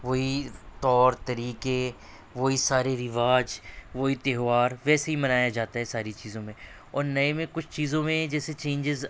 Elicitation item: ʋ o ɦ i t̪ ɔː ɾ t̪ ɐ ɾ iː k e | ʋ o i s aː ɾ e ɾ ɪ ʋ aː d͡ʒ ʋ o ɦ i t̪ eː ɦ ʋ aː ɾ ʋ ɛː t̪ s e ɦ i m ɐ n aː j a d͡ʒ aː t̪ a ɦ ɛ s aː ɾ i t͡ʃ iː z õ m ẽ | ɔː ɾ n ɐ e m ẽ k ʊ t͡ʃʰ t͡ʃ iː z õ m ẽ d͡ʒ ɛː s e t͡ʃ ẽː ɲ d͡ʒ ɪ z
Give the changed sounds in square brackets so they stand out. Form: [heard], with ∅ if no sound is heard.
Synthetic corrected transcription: ʋ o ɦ i t̪ ɔː ɾ t̪ ɐ ɾ iː k e | ʋ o i s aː ɾ e ɾ ɪ ʋ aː d͡ʒ ʋ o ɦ i t̪ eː ɦ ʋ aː ɾ ʋ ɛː [∅] s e ɦ i m ɐ n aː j a d͡ʒ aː t̪ a ɦ ɛ s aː ɾ i t͡ʃ iː z õ m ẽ | ɔː ɾ n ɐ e m ẽ k ʊ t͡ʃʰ t͡ʃ iː z õ m ẽ d͡ʒ ɛː s e t͡ʃ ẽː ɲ d͡ʒ ɪ z